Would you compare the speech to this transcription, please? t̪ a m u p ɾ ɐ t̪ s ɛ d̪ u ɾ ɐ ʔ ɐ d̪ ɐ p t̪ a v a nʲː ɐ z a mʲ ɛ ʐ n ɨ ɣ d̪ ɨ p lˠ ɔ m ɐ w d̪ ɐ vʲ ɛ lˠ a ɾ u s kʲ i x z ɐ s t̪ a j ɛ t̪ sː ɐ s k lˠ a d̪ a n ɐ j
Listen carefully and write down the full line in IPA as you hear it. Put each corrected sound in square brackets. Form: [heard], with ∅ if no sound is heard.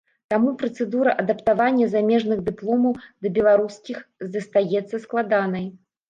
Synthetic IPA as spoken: t̪ a m u p ɾ ɐ t̪ s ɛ d̪ u ɾ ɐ ʔ ɐ d̪ ɐ p t̪ a v a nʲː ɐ z a mʲ ɛ ʐ n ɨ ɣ d̪ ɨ p lˠ ɔ m ɐ w d̪ ɐ [bʲ] ɛ lˠ a ɾ u s kʲ i x z ɐ s t̪ a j ɛ t̪ sː ɐ s k lˠ a d̪ a n ɐ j